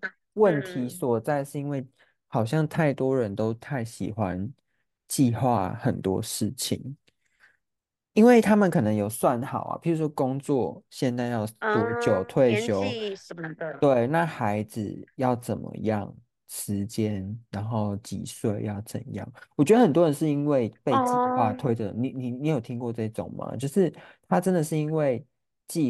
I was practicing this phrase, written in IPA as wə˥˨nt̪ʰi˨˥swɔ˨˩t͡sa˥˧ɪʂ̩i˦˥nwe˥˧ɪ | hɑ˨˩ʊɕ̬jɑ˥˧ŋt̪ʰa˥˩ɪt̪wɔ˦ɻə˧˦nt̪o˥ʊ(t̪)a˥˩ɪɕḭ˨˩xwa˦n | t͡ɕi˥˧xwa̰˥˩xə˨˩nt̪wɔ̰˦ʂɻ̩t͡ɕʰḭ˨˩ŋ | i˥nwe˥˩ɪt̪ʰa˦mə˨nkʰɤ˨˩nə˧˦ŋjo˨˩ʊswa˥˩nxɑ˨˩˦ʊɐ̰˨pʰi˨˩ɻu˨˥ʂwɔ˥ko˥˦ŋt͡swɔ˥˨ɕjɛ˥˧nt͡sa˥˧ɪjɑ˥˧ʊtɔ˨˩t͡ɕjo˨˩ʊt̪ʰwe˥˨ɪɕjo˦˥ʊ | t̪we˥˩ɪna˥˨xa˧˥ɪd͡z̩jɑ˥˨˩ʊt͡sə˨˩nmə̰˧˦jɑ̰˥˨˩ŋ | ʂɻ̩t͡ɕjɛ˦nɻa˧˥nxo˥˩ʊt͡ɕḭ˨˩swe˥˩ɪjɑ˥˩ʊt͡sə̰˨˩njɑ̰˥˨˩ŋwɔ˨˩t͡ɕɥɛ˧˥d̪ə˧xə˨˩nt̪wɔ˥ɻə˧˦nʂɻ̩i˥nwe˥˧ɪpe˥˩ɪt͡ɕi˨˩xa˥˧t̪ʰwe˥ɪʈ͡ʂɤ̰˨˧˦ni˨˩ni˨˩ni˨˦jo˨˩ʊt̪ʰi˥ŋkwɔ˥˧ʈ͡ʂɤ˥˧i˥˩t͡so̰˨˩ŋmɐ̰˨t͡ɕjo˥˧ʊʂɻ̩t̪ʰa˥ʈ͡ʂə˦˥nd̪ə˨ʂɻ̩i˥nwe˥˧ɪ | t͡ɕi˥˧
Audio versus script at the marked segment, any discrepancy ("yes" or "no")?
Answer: yes